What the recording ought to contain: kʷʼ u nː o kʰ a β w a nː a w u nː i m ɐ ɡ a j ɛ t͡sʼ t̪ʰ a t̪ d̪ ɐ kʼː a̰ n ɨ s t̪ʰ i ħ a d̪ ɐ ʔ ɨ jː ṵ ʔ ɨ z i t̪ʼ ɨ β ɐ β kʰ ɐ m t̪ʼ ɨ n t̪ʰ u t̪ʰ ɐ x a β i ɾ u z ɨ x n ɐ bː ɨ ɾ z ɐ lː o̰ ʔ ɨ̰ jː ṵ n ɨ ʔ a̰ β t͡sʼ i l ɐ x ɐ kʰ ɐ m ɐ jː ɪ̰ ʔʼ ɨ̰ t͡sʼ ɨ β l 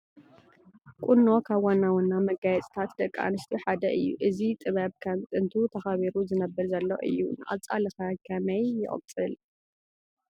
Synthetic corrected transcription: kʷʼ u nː o kʰ a β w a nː a w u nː a m ɐ ɡ a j ɛ t͡sʼ t̪ʰ a t̪ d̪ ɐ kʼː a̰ n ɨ s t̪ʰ i ħ a d̪ ɐ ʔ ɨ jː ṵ ʔ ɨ z i t̪ʼ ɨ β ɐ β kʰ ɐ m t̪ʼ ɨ n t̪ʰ u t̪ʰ ɐ x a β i ɾ u z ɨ n ɐ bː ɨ ɾ z ɐ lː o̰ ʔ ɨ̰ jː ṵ n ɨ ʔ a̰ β t͡sʼ a l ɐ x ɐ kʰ ɐ m ɐ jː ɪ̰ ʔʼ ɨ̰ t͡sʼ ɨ l